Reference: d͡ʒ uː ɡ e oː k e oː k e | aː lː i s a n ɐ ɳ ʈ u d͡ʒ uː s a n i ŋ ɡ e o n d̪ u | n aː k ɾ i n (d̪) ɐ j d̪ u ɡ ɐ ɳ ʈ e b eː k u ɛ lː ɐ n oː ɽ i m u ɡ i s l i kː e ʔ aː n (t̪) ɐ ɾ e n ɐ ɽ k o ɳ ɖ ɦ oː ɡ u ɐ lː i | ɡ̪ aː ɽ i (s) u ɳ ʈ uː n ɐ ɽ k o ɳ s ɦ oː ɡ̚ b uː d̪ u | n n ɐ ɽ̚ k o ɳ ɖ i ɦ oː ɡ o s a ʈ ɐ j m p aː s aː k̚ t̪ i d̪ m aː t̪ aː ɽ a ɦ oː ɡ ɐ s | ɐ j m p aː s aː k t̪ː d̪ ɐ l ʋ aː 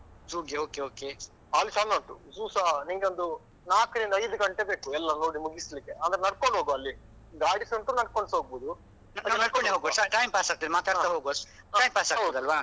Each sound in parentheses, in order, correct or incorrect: correct, incorrect, correct

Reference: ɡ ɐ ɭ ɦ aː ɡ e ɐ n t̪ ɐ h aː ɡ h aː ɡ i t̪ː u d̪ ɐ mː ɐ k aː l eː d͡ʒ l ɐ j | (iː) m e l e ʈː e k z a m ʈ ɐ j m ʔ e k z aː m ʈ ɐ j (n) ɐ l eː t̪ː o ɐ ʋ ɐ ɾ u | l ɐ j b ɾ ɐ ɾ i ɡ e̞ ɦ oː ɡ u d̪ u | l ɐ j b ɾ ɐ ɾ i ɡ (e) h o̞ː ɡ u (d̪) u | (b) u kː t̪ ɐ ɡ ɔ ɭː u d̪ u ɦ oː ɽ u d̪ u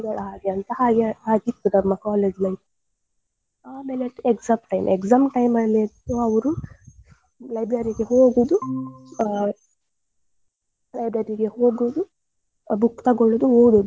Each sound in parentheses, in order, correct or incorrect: incorrect, incorrect, correct, correct, correct

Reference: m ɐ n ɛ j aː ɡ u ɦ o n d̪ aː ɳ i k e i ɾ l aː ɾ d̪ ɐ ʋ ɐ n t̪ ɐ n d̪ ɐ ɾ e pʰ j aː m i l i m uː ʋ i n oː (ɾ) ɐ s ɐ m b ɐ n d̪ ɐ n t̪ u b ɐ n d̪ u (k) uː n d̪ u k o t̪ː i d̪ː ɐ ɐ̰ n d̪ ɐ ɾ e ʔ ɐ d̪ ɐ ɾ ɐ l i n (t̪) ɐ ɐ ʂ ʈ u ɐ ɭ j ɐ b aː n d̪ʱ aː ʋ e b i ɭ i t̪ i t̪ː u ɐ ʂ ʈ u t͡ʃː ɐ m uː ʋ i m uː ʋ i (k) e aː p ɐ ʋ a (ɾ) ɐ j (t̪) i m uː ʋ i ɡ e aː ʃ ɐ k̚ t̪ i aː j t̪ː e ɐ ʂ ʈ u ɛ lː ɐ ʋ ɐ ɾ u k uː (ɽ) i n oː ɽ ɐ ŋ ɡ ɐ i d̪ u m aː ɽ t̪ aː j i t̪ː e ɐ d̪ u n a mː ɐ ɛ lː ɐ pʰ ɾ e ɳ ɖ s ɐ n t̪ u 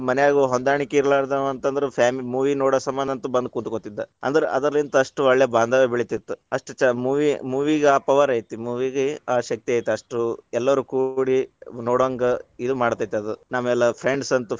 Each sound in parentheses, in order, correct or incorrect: incorrect, correct, correct, incorrect, correct, correct, correct

